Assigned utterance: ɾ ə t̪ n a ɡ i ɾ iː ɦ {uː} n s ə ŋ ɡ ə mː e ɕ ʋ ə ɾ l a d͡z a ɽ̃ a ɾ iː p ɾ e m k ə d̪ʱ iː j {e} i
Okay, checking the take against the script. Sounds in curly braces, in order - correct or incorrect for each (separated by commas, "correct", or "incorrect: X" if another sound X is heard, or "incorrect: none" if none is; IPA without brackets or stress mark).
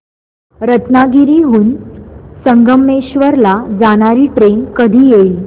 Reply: correct, correct